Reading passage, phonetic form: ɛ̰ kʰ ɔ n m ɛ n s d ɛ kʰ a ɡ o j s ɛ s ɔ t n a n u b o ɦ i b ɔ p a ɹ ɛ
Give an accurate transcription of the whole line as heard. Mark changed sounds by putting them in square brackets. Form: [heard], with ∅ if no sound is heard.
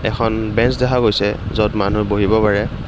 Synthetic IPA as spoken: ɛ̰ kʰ ɔ n [b] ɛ n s d ɛ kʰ a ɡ o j s ɛ [z] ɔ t [m] a n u b o ɦ i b ɔ p a ɹ ɛ